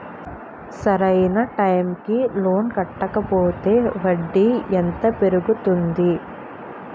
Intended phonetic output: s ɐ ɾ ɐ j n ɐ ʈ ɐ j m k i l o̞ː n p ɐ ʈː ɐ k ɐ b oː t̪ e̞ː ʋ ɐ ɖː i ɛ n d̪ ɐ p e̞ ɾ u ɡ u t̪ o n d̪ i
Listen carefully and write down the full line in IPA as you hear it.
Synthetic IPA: s ɐ ɾ ɐ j n ɐ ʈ ɐ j m k i l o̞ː n k ɐ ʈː ɐ k ɐ p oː t̪ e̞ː ʋ ɐ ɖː i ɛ n t̪ ɐ p e̞ ɾ u ɡ u t̪ u n d̪ i